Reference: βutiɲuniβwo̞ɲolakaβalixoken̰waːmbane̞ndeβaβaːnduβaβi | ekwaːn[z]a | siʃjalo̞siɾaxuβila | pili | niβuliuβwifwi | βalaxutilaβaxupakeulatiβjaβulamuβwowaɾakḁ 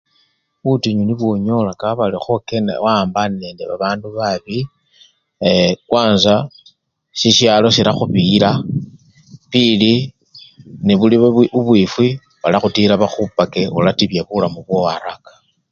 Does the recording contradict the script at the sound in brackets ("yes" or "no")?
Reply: no